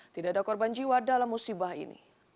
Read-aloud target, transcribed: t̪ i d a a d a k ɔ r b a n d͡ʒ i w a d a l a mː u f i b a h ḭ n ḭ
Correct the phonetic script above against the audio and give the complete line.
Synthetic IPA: t̪ i d a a d a k ɔ r b a n d͡ʒ i w a d a l a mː u s i b a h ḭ n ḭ